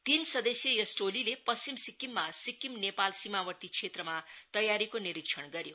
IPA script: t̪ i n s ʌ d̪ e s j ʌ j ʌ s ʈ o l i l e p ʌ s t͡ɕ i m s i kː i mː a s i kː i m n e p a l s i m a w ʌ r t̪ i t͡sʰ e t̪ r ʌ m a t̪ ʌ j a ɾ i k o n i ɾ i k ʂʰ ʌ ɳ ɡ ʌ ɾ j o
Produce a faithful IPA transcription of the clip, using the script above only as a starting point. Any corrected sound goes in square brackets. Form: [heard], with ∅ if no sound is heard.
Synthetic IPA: t̪ i n s ʌ d̪ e s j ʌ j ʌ s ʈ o l i l e p ʌ s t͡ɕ i m s i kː i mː a s i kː i m n e p a l s i m a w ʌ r t̪ i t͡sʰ e t̪ r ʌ m a t̪ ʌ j a ɾ i k o n i ɾ i k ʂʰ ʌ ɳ ɡ ʌ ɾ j o